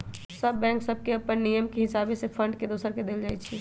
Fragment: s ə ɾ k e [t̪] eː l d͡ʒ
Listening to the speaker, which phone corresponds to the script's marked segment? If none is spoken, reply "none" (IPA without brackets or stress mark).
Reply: d̪